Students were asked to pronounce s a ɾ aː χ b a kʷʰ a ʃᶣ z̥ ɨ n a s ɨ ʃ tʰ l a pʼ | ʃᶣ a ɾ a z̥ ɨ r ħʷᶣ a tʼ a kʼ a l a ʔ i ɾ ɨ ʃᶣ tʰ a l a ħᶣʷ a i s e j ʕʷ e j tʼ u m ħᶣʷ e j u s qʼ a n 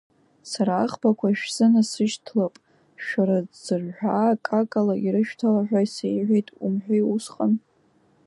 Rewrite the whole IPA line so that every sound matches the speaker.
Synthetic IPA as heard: s a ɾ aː χ b a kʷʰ a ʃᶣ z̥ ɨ n a s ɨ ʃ tʰ l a pʼ | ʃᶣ a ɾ a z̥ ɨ r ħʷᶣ a kʼ a kʼ a l a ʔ i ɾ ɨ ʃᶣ tʰ a l a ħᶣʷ a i s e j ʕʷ e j tʼ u m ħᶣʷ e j u s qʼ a n